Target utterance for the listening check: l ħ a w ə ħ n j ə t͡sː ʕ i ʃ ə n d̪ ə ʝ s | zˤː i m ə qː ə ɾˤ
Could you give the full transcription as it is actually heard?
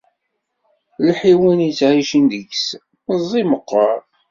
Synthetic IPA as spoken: l ħ i w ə n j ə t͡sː ʕ i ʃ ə n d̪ ə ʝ s | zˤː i m ə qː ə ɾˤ